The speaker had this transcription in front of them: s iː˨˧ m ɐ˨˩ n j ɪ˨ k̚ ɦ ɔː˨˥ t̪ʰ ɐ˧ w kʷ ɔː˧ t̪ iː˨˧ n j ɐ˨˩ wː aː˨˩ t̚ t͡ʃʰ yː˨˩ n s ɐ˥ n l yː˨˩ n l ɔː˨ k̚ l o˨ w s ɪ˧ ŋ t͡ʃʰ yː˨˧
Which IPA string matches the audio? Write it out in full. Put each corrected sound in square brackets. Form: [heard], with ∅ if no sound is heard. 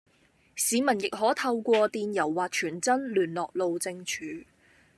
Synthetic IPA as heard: s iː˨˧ m ɐ˨˩ n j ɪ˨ k̚ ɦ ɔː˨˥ t̪ʰ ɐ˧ w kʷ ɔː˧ t̪ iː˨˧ n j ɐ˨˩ wː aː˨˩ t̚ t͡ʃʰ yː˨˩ n [t͡s] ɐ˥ n l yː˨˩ n l ɔː˨ k̚ l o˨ w [t͡s] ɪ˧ ŋ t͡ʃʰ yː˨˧